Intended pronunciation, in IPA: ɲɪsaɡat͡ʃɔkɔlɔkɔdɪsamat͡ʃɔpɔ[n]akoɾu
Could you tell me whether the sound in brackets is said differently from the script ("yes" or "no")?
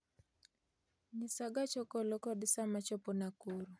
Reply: no